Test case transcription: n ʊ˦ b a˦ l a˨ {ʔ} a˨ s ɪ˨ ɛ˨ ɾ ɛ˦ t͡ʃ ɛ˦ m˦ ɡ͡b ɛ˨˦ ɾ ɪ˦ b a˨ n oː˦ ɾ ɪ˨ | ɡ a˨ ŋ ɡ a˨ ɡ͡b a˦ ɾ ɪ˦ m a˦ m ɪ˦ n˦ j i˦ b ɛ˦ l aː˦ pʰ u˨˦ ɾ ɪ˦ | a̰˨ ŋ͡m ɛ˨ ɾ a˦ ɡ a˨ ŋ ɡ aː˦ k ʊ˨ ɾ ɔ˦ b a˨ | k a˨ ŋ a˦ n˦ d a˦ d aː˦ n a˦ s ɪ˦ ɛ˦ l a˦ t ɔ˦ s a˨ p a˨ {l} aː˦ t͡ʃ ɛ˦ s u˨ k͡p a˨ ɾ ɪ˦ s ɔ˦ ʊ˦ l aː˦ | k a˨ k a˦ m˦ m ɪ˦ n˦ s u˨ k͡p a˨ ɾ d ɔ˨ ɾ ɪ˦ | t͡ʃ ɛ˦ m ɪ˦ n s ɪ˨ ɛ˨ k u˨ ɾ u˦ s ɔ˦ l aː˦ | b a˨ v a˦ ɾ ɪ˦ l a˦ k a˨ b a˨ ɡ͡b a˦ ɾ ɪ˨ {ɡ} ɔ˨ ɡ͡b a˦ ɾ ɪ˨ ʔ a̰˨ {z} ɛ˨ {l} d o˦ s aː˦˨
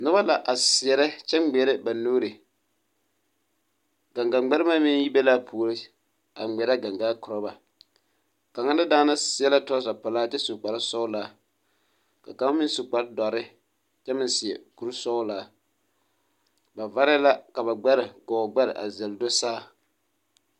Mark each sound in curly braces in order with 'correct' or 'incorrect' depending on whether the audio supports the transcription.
correct, correct, correct, correct, correct

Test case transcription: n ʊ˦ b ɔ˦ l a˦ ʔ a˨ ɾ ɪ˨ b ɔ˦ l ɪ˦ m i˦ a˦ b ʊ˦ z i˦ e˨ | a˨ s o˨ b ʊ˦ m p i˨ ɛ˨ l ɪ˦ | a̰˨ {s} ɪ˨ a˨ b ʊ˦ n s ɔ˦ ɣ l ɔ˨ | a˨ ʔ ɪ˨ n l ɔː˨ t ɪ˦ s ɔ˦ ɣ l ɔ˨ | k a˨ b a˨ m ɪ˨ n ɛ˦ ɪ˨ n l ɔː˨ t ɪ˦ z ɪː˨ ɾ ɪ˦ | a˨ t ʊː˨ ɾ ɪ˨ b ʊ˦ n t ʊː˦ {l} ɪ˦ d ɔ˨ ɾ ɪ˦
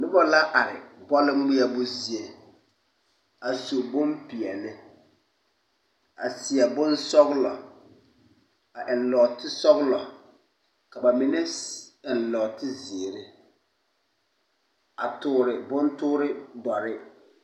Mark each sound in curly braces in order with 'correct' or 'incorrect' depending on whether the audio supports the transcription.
correct, incorrect

